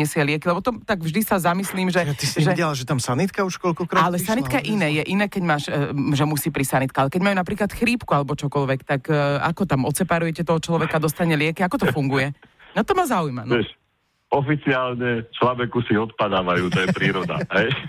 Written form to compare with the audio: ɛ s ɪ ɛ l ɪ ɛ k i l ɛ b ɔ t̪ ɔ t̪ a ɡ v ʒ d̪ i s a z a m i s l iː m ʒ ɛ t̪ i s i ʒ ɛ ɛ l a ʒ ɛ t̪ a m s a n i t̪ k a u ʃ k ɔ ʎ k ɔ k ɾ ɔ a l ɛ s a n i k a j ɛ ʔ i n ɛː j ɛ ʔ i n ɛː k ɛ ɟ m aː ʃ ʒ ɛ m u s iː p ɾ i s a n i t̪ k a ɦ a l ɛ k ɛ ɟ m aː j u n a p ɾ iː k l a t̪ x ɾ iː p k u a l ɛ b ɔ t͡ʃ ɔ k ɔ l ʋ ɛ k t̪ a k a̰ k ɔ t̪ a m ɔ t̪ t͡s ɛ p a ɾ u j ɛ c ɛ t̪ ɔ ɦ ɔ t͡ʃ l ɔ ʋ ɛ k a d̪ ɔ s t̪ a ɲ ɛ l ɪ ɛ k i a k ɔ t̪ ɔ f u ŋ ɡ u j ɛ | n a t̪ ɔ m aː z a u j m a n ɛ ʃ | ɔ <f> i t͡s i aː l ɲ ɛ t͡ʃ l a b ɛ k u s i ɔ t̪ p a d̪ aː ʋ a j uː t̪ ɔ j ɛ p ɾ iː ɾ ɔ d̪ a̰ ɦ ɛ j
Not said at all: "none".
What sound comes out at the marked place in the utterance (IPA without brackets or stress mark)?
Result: f